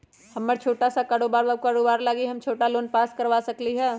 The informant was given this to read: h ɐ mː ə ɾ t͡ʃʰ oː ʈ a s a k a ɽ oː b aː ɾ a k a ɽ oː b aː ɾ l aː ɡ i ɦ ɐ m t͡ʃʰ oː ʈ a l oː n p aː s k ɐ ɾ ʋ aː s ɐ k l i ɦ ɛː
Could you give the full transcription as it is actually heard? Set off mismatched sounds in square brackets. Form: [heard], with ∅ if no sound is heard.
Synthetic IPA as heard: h ɐ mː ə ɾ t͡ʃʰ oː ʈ a s a k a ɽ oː b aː ɾ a k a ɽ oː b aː ɾ l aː ɡ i ɦ ɐ m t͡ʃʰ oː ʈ a l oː n p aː s k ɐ ɾ ʋ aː s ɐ k l i ɦ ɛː